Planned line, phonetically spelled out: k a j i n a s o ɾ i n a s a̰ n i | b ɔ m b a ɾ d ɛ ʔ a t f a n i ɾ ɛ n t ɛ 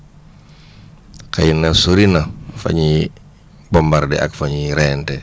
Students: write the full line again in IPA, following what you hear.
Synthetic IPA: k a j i n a s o ɾ i n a f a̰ ɲ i | b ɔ m b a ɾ d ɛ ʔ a k f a ɲ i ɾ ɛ n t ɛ